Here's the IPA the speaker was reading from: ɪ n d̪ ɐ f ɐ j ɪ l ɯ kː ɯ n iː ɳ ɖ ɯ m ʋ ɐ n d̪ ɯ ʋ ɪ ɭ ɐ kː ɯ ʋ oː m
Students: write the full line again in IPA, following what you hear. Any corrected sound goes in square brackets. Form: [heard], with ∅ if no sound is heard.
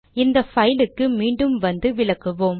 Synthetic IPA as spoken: ɪ n d̪ ɐ f ɐ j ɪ l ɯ kː ɯ [m] iː ɳ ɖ ɯ m ʋ ɐ n d̪ ɯ ʋ ɪ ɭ ɐ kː ɯ ʋ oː m

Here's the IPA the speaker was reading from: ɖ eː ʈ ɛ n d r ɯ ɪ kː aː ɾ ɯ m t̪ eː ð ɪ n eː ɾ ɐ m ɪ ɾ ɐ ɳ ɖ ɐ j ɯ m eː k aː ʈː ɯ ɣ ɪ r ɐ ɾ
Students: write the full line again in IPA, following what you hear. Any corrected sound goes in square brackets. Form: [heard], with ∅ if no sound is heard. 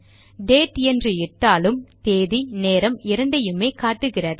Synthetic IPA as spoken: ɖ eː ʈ ɛ n d r ɯ ɪ [ʈː] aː [l] ɯ m t̪ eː ð [i] n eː ɾ ɐ m ɪ ɾ ɐ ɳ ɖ ɐ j ɯ m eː k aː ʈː ɯ ɣ ɪ r ɐ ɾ

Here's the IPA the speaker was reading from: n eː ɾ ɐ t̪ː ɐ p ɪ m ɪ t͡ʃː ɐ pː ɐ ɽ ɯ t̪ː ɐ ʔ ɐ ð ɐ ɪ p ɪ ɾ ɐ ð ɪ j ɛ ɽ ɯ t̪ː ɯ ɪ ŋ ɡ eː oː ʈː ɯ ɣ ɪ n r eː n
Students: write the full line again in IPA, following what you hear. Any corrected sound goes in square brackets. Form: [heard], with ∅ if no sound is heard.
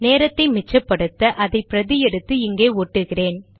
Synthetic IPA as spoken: n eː ɾ ɐ t̪ː ɐ [∅] ɪ m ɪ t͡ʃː ɐ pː ɐ ɽ ɯ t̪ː ɐ ʔ ɐ ð ɐ ɪ p ɪ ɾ ɐ ð ɪ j ɛ ɽ ɯ t̪ː ɯ ɪ ŋ ɡ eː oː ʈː ɯ ɣ ɪ [∅] r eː n

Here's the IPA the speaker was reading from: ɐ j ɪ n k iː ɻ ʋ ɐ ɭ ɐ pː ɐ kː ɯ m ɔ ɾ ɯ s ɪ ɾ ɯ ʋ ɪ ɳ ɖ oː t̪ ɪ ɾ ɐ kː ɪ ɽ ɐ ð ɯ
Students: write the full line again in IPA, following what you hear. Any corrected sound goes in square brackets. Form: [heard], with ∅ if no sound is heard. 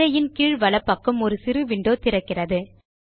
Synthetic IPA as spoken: ɐ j ɪ n k iː ɻ ʋ ɐ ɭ ɐ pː ɐ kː ɯ m ɔ ɾ ɯ s ɪ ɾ ɯ ʋ ɪ ɳ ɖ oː t̪ ɪ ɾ ɐ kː ɪ [r] ɐ ð ɯ

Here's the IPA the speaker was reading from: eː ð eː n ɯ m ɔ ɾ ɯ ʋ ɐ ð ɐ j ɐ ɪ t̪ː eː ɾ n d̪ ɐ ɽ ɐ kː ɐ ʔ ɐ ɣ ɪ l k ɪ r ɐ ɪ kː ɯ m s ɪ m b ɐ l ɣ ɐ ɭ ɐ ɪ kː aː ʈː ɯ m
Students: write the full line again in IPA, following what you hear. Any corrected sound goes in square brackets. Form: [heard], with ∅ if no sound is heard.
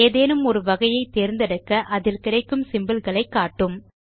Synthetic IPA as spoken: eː ð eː n ɯ m ɔ ɾ ɯ ʋ ɐ [ɣ] ɐ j ɐ ɪ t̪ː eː ɾ n d̪ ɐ ɽ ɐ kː ɐ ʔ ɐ [ð] ɪ l k ɪ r ɐ ɪ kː ɯ m s ɪ m b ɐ l ɣ ɐ ɭ ɐ ɪ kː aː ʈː ɯ m

